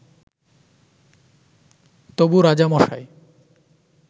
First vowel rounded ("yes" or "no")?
yes